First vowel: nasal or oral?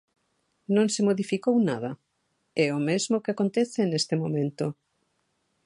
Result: nasal